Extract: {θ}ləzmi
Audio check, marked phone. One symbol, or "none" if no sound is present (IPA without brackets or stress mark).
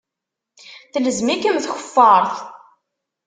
θ